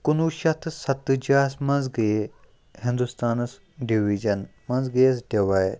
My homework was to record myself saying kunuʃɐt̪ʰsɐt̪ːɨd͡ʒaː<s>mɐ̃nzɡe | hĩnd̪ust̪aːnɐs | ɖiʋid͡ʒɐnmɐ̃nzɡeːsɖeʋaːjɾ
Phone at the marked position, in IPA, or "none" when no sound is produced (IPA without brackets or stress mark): s